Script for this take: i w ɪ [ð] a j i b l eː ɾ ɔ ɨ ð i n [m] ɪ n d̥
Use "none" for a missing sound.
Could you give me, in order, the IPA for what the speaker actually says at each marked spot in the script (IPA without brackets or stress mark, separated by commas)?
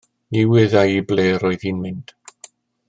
ð, m